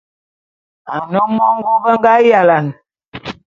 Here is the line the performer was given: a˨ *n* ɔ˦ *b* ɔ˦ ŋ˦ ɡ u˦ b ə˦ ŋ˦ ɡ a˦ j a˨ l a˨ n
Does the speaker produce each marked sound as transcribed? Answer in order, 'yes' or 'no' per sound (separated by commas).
yes, no